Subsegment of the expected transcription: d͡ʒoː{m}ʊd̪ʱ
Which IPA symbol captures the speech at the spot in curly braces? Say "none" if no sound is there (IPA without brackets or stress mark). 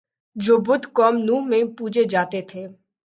b